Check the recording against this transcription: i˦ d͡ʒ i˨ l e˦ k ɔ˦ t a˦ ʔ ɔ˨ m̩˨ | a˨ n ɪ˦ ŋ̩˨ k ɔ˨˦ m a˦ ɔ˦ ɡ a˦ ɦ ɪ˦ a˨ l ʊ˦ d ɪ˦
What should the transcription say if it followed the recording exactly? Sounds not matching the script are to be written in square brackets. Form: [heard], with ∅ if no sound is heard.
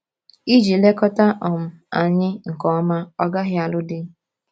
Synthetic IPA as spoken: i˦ d͡ʒ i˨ l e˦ k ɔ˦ t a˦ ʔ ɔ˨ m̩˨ | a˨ [ɲ] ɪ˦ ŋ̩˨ k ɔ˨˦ m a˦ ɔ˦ ɡ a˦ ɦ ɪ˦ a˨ l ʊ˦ d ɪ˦